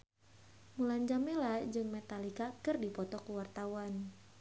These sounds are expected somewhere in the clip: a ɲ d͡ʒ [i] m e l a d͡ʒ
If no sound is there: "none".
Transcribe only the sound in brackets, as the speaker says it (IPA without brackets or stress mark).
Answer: a